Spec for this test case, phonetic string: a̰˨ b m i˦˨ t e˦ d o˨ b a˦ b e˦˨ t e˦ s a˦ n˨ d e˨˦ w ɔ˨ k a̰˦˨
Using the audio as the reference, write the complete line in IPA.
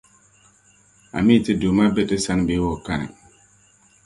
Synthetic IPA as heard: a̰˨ m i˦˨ t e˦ d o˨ m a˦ b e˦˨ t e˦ s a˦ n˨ b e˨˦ w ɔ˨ k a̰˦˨